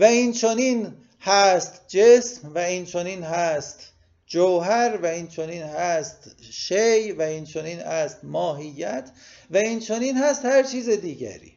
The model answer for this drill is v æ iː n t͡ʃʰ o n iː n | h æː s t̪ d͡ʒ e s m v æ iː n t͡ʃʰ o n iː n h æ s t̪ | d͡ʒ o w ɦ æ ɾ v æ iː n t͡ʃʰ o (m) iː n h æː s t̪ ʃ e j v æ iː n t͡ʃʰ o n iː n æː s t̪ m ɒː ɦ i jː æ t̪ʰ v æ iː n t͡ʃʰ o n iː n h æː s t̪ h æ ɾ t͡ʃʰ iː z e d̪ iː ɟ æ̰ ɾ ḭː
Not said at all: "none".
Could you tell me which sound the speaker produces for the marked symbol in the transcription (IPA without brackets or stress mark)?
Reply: n